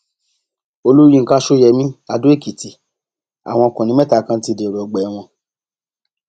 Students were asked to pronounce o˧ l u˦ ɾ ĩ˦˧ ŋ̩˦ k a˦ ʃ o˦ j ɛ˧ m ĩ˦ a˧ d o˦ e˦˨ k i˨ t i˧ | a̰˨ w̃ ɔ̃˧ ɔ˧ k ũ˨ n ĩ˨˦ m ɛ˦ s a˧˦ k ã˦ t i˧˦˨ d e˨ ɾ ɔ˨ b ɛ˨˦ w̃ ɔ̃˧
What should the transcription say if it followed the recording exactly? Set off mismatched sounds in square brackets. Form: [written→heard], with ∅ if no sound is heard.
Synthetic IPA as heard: o˧ l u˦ ɾ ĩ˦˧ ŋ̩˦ k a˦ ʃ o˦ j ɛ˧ m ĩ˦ a˧ d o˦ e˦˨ k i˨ t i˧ | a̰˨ w̃ ɔ̃˧ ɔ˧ k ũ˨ n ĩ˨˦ m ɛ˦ [s→t] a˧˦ k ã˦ t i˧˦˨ d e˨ ɾ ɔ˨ [b→ɡ͡b] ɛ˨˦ w̃ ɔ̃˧